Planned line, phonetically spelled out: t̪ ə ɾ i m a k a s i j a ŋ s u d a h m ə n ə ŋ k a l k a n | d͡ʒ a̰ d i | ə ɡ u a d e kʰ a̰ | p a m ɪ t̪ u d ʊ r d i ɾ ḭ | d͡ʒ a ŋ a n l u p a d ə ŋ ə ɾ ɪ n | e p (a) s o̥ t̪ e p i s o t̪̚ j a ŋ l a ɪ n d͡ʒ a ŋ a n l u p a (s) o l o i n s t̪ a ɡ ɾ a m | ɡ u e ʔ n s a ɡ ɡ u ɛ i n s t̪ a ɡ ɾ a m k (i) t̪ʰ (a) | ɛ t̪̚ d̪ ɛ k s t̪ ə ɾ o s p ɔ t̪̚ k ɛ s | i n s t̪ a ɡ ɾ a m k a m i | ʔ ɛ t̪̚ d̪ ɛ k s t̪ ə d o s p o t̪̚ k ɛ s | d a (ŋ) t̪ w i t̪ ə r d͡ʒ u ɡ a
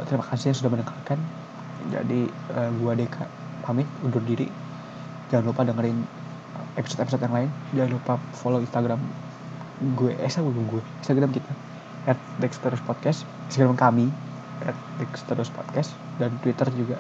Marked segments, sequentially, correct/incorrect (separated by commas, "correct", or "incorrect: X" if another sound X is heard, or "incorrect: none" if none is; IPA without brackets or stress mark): incorrect: i, incorrect: f, correct, correct, incorrect: n